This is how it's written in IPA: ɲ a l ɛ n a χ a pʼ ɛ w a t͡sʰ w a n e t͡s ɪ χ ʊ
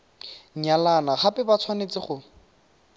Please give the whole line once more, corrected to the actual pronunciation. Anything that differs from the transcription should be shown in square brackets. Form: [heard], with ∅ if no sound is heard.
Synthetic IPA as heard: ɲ a l [a] n a χ a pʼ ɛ [b] a t͡sʰ w a n e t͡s ɪ χ ʊ